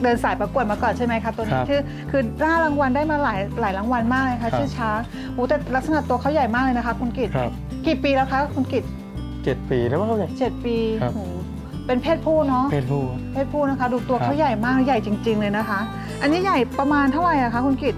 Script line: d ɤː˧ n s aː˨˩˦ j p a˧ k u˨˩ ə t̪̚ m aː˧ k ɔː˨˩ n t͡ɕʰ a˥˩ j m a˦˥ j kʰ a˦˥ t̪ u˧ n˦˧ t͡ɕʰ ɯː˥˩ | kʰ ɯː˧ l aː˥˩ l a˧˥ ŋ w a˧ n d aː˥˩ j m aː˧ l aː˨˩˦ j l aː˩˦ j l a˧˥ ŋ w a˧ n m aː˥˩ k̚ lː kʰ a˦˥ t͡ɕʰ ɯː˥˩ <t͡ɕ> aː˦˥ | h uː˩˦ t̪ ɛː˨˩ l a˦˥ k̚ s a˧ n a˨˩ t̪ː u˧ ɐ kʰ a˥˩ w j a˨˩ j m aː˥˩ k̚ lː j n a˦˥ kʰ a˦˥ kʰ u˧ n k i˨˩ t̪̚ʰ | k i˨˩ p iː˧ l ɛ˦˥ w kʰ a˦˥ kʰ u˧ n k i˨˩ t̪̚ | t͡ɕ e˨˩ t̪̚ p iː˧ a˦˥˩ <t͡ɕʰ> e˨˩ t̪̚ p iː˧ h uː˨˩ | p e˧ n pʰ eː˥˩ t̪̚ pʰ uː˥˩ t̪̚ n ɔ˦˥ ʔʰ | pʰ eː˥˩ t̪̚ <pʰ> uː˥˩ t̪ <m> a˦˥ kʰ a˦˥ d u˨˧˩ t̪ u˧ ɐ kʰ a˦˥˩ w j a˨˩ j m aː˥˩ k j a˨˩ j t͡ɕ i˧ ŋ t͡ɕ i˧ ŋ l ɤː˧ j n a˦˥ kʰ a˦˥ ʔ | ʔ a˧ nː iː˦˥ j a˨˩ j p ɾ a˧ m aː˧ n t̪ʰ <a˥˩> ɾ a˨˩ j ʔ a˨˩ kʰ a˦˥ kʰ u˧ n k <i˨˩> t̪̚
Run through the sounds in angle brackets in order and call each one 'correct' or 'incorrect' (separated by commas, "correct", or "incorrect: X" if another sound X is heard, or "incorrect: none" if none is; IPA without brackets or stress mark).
incorrect: t͡ɕʰ, incorrect: t͡ɕ, correct, incorrect: n, correct, correct